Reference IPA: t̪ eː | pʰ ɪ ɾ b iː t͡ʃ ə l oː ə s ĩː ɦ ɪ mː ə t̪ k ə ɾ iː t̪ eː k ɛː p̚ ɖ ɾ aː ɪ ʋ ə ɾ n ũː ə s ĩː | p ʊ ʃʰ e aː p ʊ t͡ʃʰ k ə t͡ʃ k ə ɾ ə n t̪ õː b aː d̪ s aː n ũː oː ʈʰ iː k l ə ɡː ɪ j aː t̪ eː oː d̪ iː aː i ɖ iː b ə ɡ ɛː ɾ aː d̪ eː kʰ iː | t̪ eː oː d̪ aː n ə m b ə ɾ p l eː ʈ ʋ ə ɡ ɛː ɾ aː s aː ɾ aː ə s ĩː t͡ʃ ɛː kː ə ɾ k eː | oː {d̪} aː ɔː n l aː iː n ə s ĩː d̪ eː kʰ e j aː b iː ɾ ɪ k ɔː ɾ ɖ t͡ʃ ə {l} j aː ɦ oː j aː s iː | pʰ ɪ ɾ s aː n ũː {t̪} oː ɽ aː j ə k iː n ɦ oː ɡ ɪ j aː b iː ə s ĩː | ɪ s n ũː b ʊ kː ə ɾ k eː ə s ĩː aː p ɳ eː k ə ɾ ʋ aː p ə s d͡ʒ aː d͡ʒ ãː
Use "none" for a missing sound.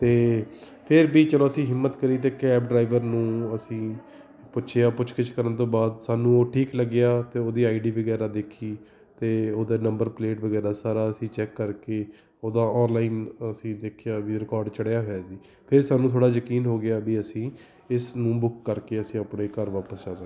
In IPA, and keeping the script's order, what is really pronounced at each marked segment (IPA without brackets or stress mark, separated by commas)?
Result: d̪, ɽ, t̪ʰ